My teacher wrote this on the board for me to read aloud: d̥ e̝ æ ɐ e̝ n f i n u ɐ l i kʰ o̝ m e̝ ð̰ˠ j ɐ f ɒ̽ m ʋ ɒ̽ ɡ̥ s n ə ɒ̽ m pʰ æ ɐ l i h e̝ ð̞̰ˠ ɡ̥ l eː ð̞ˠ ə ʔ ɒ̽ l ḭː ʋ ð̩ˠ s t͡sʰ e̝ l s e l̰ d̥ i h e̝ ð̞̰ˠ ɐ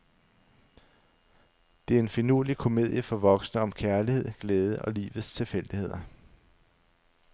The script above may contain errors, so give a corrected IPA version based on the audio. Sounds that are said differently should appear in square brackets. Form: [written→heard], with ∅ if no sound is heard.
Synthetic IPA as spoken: d̥ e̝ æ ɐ e̝ n f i n u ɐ l i kʰ o̝ m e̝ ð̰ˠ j [ɐ→ə] f ɒ̽ [m→∅] ʋ ɒ̽ ɡ̥ s n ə ɒ̽ m [pʰ→kʰ] æ ɐ l i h e̝ ð̞̰ˠ ɡ̥ l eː ð̞ˠ ə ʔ ɒ̽ l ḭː ʋ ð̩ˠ s t͡sʰ e̝ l [s→f] e l̰ d̥ i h e̝ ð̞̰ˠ ɐ